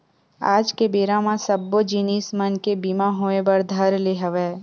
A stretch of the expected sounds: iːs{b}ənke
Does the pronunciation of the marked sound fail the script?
yes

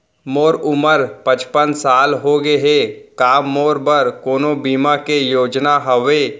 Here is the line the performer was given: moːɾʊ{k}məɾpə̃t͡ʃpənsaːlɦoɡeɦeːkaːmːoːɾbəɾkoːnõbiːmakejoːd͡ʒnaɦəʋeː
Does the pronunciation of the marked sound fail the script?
yes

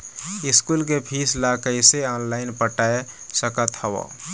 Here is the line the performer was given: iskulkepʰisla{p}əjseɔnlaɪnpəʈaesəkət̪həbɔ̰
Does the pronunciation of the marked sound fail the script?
yes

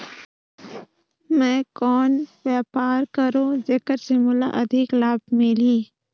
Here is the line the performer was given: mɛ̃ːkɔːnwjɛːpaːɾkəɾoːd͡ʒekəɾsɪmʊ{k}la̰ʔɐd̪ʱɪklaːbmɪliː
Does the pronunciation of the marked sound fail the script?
yes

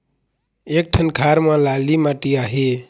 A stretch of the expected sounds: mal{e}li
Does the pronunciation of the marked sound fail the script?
yes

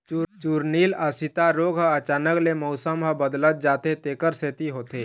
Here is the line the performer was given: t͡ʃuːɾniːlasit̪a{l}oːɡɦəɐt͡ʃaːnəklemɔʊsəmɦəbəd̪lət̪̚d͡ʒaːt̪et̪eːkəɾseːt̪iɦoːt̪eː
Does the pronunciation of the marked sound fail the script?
yes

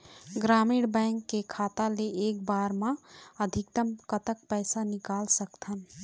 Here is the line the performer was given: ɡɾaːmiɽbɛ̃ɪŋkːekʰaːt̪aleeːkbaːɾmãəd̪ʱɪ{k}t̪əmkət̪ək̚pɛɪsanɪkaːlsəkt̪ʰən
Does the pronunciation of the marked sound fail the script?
no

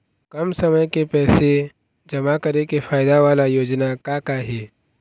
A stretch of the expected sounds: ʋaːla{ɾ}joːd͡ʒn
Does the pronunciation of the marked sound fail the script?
yes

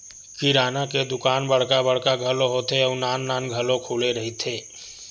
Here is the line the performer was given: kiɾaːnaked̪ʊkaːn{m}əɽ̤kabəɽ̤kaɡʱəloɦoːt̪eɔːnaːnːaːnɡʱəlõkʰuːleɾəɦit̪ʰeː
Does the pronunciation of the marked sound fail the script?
yes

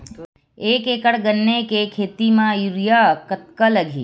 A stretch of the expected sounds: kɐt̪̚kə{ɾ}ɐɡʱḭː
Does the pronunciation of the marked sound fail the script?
yes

